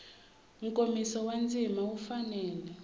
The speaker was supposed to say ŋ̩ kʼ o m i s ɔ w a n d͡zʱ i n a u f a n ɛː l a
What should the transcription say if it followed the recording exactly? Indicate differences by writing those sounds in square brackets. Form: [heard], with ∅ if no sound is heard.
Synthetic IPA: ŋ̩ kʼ o m i s ɔ w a n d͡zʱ i [m] a u f a n ɛː l [ɛ]